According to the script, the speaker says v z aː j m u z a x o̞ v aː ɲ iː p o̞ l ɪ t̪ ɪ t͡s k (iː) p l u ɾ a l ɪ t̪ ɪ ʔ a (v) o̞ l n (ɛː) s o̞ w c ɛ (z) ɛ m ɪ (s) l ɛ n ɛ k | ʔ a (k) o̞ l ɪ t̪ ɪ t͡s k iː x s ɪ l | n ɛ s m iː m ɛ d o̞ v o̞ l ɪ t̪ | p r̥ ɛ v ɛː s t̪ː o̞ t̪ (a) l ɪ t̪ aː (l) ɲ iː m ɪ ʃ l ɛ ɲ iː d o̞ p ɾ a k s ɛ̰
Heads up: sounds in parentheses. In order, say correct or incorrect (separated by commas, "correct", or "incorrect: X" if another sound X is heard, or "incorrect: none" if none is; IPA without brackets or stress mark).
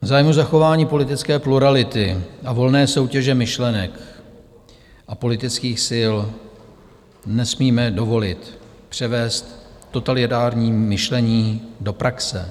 incorrect: ɛː, correct, correct, incorrect: ʒ, incorrect: ʃ, incorrect: p, correct, incorrect: ɾ